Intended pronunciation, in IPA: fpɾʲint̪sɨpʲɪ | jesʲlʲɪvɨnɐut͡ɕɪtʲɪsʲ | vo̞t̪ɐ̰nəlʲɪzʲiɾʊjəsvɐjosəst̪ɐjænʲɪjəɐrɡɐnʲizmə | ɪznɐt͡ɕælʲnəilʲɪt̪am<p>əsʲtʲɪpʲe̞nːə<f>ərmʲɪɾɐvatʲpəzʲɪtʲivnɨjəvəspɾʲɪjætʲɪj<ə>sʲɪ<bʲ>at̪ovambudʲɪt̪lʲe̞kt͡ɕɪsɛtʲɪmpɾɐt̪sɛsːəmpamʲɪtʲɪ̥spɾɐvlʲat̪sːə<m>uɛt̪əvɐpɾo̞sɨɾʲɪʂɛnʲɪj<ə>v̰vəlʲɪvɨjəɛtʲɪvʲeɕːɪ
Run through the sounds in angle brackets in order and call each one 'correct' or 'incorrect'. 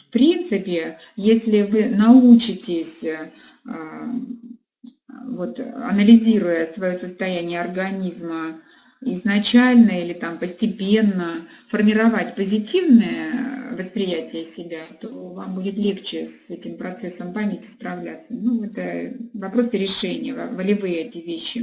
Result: correct, correct, correct, correct, incorrect, correct

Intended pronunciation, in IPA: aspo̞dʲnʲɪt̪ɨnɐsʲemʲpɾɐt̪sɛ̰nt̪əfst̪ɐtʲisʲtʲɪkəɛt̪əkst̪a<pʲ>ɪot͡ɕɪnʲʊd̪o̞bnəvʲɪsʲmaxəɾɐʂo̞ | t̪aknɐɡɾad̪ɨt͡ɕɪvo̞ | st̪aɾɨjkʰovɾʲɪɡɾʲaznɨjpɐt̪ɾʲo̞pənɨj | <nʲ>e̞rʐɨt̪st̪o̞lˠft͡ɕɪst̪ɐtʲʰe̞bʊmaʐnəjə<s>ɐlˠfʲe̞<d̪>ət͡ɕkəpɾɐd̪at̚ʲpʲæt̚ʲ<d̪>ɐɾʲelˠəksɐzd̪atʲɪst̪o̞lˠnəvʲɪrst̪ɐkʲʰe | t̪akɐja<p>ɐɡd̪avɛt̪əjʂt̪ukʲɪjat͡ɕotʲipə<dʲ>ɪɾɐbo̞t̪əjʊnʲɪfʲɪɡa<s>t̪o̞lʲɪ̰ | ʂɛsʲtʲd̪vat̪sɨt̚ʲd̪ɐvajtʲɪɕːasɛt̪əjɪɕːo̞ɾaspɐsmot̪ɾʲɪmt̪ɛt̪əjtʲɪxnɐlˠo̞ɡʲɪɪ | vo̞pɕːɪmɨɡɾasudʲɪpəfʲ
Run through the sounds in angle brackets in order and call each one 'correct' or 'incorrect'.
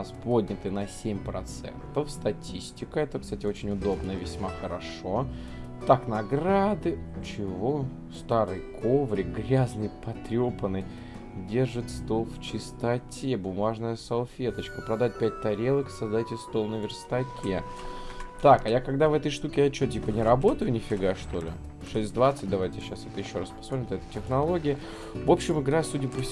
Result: incorrect, incorrect, correct, incorrect, incorrect, incorrect, incorrect, incorrect

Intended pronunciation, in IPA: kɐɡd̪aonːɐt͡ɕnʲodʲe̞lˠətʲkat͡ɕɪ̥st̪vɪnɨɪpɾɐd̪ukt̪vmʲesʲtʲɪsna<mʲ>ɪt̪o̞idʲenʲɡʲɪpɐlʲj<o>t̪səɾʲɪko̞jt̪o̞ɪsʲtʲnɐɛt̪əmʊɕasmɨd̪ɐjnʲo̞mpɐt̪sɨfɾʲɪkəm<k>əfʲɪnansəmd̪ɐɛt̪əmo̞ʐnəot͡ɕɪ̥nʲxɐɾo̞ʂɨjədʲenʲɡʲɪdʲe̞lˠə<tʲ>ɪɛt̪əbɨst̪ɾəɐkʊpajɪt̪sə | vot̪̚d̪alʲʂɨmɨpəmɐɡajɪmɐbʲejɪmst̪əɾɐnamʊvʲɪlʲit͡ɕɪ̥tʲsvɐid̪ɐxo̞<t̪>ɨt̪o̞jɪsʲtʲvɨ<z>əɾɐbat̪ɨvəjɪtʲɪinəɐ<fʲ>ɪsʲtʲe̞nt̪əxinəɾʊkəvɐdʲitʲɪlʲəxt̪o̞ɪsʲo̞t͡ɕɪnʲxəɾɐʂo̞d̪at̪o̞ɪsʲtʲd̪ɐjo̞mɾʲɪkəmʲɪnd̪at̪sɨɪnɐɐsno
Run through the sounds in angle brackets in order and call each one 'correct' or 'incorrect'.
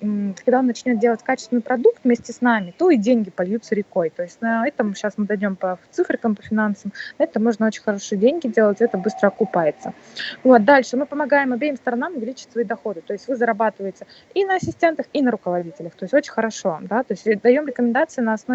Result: correct, incorrect, incorrect, correct, incorrect, correct, incorrect

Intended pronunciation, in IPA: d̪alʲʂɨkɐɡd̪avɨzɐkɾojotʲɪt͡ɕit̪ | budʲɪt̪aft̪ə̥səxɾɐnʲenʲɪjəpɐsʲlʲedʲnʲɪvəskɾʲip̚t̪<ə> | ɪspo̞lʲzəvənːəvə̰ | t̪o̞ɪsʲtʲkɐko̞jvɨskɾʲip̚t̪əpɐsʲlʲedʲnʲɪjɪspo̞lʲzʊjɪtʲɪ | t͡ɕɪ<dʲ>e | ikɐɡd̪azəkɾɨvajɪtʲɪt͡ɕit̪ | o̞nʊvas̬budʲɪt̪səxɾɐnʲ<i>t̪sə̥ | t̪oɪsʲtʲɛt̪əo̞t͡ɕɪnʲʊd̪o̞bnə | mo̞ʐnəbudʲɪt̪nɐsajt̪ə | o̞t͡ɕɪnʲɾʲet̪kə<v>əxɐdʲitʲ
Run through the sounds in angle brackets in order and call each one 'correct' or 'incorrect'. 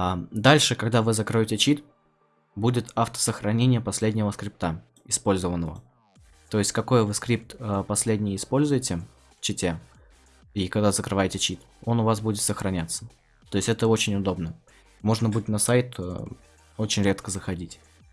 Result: incorrect, incorrect, incorrect, incorrect

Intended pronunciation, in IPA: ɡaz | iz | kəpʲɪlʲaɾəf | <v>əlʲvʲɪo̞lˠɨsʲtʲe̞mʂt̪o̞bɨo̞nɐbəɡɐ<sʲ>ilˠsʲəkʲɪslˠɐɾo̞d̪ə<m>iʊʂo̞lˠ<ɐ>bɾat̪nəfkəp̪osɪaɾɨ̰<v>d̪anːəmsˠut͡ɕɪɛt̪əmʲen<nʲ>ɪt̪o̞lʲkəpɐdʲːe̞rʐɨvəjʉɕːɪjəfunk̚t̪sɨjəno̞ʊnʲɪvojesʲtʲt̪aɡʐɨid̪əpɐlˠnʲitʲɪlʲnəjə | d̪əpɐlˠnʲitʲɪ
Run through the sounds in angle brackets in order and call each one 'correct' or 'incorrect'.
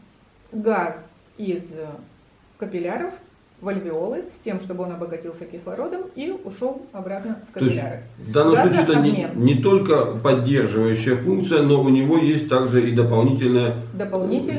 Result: correct, incorrect, correct, correct, correct, correct

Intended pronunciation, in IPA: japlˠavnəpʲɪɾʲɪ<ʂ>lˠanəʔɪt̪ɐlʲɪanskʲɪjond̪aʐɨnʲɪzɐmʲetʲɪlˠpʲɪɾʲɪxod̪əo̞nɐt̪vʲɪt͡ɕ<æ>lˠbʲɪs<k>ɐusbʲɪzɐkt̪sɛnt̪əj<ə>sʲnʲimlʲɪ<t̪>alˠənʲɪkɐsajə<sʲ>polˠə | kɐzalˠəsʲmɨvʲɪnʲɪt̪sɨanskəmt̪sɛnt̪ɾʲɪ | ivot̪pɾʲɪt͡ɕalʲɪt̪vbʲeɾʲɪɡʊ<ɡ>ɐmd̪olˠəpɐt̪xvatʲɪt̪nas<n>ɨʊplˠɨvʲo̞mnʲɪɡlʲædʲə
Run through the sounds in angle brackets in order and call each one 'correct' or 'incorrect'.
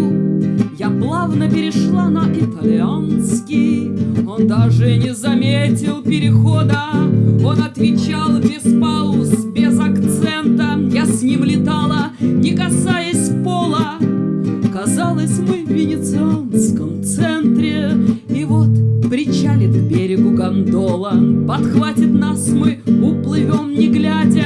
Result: correct, incorrect, incorrect, incorrect, correct, correct, correct, incorrect

